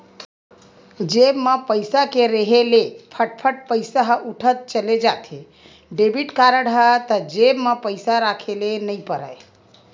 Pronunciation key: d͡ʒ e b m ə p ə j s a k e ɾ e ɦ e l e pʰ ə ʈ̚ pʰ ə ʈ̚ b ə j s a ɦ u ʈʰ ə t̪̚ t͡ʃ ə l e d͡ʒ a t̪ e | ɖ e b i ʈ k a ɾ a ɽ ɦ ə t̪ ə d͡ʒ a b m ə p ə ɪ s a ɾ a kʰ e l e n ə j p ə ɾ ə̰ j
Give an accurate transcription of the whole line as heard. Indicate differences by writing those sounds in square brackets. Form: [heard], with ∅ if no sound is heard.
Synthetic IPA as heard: d͡ʒ e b m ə p ə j s a k e ɾ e ɦ e l e pʰ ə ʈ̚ pʰ ə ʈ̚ [p] ə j s a ɦ u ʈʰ ə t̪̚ t͡ʃ ə l e d͡ʒ a t̪ e | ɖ e b i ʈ k a ɾ [ə] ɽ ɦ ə t̪ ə d͡ʒ [e] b m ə p ə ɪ s a ɾ a kʰ e l e n ə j p ə ɾ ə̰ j